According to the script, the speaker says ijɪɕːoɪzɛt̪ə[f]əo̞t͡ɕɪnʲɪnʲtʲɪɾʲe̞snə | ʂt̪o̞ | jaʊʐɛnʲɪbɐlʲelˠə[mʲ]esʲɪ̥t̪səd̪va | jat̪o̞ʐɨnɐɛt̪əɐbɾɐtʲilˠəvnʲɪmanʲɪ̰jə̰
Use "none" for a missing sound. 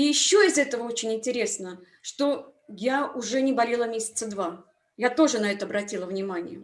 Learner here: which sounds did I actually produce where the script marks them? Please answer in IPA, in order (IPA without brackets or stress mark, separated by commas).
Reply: v, mʲ